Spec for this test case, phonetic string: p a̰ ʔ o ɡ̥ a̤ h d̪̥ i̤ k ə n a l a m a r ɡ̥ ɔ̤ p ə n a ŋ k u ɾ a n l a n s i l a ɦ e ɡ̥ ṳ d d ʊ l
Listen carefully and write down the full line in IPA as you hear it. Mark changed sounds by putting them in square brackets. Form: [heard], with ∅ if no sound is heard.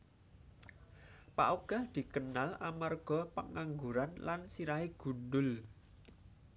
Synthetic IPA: p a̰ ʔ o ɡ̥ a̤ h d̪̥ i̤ k ə n a l a m a r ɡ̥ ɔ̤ p ə [ŋ] a ŋ [ɡ] u ɾ a n l a n s i [ɾ] a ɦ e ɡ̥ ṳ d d ʊ l